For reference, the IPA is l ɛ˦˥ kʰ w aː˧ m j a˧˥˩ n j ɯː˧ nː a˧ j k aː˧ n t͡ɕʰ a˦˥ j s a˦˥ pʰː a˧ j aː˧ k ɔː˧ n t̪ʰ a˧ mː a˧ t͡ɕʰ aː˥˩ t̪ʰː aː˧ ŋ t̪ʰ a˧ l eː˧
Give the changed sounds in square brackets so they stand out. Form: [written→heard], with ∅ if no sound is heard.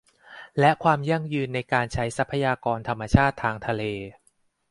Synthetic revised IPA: l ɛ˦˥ kʰ w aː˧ m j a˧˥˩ [n→ŋ] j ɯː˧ nː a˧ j k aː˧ n t͡ɕʰ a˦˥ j s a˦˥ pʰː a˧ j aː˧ k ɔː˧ n t̪ʰ a˧ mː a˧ t͡ɕʰ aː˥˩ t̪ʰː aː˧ ŋ t̪ʰ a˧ l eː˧